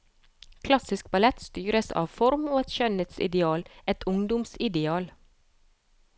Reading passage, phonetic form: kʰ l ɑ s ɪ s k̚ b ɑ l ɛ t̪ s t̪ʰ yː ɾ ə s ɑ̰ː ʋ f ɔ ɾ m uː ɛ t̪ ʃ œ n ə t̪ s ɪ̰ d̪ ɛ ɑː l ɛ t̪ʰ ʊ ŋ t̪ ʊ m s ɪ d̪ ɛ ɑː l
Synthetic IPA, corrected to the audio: kʰ l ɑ s ɪ s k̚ b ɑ l ɛ t̪ s t̪ yː ɾ ə s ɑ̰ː ʋ f ɔ ɾ m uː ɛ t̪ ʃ œ n ə t̪ s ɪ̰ d̪ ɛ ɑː l ɛ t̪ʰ ʊ ŋ d̪ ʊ m s ɪ d̪ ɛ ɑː l